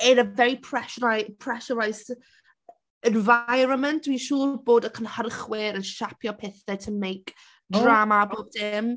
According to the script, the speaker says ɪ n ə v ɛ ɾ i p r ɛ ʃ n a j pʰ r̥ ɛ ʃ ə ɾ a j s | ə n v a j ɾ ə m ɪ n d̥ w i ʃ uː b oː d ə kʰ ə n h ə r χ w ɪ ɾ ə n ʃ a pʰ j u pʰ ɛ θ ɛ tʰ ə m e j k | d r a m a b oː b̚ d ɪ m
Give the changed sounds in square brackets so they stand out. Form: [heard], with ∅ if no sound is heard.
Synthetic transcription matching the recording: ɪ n ə v ɛ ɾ i [pʰ] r ɛ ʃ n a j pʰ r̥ ɛ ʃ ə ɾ a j s | ə n v a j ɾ ə m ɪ n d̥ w i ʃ uː b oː d ə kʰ ə n h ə r χ w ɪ ɾ ə n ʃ a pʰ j [ɔ] pʰ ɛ θ ɛ tʰ ə m e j k | d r a m a b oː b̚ d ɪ m